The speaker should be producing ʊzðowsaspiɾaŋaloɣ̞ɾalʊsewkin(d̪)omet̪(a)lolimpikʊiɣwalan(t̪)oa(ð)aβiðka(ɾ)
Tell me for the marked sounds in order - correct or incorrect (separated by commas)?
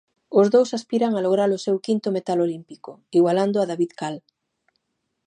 incorrect, correct, incorrect, correct, incorrect